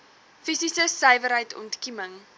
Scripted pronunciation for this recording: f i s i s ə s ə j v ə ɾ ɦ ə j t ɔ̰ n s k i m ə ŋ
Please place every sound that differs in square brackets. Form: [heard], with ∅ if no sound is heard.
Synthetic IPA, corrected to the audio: f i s i s ə s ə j v ə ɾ ɦ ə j t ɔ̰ n [t] k i m ə ŋ